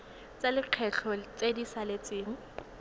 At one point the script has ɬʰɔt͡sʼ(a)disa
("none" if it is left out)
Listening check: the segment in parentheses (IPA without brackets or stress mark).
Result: e